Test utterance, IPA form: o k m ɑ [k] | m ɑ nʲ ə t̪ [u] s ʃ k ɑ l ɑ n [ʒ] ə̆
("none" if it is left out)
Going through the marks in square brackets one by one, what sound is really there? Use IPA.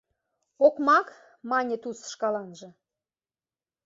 k, u, ʒ

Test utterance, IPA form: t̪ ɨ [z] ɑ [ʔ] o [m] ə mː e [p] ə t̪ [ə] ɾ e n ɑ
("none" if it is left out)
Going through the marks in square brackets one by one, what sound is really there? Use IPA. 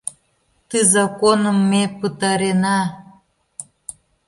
z, k, n, p, ɑ

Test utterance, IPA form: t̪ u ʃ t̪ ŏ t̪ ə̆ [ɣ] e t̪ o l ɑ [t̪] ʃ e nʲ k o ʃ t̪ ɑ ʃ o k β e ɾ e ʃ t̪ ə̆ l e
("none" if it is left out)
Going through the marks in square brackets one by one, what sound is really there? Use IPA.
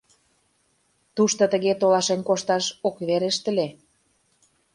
ɣ, none

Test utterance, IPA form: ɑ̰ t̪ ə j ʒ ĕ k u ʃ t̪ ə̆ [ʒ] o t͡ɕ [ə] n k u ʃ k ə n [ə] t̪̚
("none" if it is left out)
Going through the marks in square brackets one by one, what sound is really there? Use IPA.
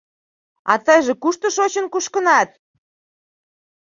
ʃ, ə, ɑ

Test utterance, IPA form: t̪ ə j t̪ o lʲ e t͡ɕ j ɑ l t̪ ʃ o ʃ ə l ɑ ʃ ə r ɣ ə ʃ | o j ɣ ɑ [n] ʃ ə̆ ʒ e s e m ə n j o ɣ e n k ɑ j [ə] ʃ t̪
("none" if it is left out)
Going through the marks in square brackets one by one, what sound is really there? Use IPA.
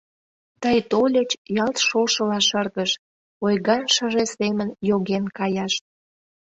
n, ɑ

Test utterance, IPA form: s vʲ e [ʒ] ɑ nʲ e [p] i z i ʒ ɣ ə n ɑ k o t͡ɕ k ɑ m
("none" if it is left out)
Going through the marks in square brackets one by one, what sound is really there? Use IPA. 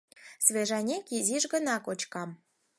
ʒ, k

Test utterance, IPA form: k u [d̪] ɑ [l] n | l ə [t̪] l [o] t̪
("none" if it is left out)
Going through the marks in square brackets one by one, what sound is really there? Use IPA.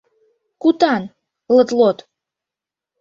t̪, none, t̪, o

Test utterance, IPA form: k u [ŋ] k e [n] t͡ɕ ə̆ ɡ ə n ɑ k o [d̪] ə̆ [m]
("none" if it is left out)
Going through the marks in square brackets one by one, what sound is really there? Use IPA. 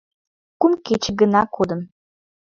m, none, d̪, m

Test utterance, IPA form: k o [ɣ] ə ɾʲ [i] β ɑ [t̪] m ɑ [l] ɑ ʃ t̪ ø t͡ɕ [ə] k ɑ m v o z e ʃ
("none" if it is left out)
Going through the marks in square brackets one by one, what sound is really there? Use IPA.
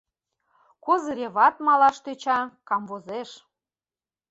z, e, t̪, l, ɑ

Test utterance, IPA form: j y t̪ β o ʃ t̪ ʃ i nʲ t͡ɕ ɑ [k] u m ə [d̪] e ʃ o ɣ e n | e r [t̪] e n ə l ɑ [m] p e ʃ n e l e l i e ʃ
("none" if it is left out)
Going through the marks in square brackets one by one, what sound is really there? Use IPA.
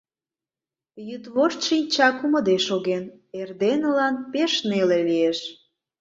k, d̪, d̪, n

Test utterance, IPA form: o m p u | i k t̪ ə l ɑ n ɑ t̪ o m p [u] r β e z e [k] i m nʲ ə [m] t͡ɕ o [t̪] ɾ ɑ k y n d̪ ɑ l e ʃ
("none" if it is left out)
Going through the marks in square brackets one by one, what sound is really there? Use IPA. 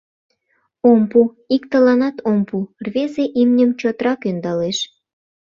u, ʔ, m, t̪

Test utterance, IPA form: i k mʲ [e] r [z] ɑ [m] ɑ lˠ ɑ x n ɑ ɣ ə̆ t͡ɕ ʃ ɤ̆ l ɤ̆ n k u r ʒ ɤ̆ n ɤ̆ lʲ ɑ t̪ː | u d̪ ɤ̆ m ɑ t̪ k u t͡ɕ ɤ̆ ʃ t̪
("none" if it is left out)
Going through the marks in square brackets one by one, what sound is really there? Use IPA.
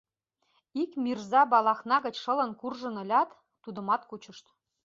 i, z, b

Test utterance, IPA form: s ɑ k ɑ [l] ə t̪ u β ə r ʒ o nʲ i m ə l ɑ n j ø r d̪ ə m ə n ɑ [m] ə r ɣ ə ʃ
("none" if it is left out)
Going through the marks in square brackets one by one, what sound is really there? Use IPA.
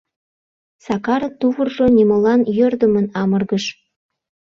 ɾ, m

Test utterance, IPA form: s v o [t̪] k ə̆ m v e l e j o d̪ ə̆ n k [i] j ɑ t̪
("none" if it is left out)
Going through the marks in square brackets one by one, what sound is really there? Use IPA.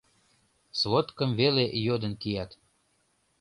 t̪, i

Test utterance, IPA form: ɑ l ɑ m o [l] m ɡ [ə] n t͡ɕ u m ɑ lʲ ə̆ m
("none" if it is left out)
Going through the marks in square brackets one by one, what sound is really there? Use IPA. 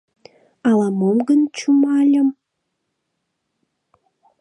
none, ə

